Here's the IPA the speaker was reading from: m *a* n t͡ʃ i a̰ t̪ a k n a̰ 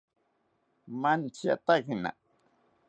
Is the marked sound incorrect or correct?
correct